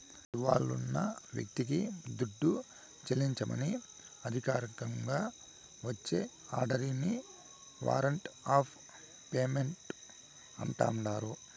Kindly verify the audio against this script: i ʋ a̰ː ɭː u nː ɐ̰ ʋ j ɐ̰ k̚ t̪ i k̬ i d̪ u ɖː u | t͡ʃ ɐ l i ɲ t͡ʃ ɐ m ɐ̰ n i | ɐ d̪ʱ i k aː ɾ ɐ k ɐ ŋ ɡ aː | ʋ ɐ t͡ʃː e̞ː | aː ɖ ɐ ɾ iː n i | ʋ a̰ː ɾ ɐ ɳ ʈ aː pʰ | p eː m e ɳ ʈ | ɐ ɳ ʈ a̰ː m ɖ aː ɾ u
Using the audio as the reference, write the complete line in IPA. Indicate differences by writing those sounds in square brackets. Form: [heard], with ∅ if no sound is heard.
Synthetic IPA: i ʋ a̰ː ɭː u nː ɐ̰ ʋ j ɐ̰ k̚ t̪ i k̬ i d̪ u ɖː u | t͡ʃ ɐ l i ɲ t͡ʃ ɐ m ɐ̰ n i | ɐ d̪ʱ i k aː ɾ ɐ k ɐ ŋ ɡ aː | ʋ ɐ t͡ʃː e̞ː | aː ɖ ɐ ɾ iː n i | ʋ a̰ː ɾ ɐ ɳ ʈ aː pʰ | p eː m e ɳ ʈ | ɐ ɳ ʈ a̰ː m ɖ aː ɾ u